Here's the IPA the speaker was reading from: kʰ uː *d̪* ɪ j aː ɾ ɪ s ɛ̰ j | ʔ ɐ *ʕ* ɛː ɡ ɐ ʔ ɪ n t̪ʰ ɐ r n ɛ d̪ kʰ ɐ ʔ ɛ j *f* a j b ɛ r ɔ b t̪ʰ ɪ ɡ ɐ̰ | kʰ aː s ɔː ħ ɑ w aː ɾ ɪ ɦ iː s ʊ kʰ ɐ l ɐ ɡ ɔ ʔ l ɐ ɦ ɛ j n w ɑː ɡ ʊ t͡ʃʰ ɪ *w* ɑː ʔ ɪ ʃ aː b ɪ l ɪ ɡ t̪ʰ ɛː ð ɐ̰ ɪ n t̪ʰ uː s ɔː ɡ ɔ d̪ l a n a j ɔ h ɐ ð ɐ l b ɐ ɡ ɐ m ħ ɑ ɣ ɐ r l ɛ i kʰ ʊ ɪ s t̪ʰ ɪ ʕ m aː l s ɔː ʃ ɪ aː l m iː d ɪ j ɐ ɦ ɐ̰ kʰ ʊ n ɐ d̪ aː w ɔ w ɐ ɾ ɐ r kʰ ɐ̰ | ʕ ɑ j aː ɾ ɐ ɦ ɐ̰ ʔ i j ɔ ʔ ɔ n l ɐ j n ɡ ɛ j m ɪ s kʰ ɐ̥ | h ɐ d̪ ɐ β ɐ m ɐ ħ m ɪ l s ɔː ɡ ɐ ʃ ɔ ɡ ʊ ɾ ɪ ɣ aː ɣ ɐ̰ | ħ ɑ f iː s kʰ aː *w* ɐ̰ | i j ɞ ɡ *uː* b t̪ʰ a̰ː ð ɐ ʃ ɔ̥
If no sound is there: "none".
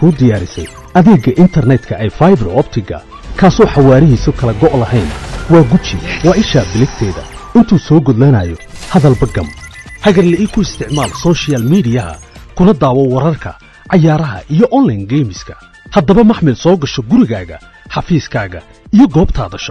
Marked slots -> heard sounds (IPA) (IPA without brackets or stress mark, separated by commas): d̪, ð, f, w, ɣ, ɔː